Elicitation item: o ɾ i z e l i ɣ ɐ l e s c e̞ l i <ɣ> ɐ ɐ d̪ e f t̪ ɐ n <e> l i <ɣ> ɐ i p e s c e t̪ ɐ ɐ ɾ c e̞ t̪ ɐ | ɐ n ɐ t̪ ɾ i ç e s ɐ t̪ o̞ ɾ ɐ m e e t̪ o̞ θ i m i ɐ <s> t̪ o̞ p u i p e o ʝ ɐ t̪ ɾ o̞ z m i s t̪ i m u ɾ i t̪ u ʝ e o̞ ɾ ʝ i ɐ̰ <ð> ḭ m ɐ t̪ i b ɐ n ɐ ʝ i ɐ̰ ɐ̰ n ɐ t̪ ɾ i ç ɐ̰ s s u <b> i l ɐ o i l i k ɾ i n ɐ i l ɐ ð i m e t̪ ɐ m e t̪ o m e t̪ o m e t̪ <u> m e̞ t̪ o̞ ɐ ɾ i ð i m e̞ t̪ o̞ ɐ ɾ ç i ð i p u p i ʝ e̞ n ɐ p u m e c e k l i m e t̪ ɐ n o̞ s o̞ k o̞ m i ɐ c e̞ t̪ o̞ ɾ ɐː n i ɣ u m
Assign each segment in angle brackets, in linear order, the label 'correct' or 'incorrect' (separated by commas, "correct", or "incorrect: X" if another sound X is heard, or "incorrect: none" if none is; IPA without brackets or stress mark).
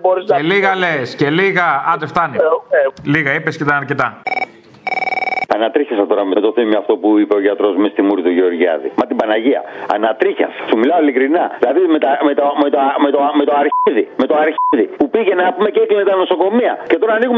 correct, incorrect: i, correct, incorrect: f, correct, incorrect: m, incorrect: o